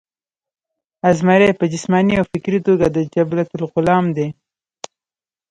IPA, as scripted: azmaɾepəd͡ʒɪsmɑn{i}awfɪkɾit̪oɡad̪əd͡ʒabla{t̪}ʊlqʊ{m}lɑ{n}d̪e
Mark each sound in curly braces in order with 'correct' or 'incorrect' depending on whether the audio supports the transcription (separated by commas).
correct, correct, incorrect, incorrect